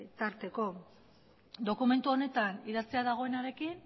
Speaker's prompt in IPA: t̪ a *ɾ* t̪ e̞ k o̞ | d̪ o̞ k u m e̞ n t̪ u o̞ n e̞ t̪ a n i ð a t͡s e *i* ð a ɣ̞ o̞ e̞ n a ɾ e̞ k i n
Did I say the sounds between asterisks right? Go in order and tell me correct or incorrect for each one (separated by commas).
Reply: correct, incorrect